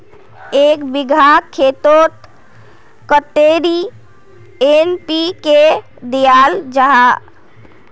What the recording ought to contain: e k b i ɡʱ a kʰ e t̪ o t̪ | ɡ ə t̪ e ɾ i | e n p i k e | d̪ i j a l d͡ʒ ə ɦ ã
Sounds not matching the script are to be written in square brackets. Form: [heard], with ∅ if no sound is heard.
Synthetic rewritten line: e k b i ɡʱ a kʰ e t̪ o t̪ | [k] ə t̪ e ɾ i | e n p i k e | d̪ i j a l d͡ʒ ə ɦ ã